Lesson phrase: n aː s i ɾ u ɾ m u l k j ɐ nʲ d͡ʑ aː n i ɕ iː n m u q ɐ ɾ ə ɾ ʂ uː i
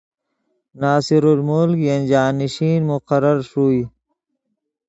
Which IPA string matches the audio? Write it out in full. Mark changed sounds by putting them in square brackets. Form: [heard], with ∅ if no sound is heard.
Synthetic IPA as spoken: n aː s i ɾ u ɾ m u l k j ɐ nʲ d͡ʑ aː n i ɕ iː n m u q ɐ ɾ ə ɾ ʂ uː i